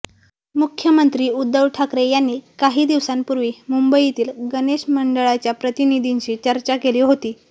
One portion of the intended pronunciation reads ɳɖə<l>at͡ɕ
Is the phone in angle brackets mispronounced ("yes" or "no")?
yes